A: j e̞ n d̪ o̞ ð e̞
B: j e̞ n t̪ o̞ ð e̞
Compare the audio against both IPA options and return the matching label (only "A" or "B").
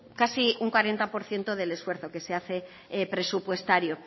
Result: B